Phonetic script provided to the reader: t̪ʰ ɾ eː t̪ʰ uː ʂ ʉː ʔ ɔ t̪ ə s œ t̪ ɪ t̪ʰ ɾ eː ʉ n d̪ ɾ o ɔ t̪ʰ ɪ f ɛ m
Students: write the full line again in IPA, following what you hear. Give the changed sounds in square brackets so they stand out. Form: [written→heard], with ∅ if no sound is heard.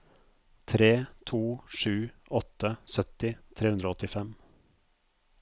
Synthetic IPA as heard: t̪ʰ ɾ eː t̪ʰ uː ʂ ʉː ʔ ɔ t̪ ə s œ t̪ ɪ t̪ʰ ɾ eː ʉ n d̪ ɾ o ɔ [t̪ʰ→t̪] ɪ f ɛ m

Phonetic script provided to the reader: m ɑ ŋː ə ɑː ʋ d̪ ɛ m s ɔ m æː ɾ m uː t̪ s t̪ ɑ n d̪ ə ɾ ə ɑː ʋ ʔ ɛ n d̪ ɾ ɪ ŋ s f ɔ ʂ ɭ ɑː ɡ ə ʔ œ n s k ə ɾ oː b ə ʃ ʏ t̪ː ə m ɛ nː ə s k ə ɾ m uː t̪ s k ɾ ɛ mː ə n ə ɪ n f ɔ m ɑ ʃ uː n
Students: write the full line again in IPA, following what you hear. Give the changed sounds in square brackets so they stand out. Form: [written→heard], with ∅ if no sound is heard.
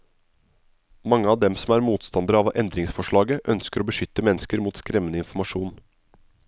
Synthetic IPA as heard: m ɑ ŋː ə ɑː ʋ d̪ ɛ m s ɔ m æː ɾ m uː t̪ s t̪ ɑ n d̪ ə ɾ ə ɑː ʋ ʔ ɛ n d̪ ɾ ɪ ŋ s f ɔ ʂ ɭ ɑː ɡ ə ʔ œ n s k ə ɾ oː b ə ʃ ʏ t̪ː ə m ɛ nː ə s k ə ɾ m uː t̪ s k ɾ ɛ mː ə n ə ɪ n f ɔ m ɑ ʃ uː n

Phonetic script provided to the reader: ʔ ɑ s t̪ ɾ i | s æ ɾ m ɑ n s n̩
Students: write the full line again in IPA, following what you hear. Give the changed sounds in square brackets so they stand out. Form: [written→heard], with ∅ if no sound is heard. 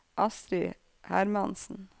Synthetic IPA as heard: ʔ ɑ s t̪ ɾ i | [s→h] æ ɾ m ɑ n s n̩

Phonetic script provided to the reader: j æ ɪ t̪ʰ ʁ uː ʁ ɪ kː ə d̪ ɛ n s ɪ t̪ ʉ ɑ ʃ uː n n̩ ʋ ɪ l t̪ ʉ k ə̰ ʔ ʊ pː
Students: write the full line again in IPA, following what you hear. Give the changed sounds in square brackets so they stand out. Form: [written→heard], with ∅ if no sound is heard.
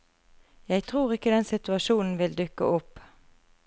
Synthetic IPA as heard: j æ ɪ t̪ʰ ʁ uː ʁ ɪ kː ə d̪ ɛ n s ɪ t̪ ʉ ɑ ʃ uː n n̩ ʋ ɪ l [t̪→d̪] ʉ k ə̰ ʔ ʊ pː

